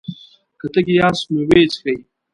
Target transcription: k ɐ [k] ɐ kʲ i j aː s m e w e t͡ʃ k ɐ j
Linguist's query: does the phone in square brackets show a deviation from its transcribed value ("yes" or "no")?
yes